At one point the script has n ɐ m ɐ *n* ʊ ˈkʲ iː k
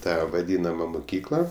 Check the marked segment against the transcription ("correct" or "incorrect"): incorrect